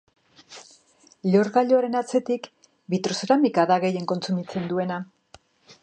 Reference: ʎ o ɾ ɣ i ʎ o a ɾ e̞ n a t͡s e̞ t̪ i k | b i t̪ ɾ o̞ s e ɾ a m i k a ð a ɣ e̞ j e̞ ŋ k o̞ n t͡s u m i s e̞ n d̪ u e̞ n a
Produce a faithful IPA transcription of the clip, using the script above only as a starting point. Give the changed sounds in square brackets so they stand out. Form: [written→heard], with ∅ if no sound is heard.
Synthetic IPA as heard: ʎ o ɾ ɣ [i→a] ʎ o a ɾ e̞ n a t͡s e̞ t̪ i k | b i t̪ ɾ o̞ s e ɾ a m i k a ð a ɣ e̞ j e̞ ŋ k o̞ n t͡s u m i [s→t͡s] e̞ n d̪ u e̞ n a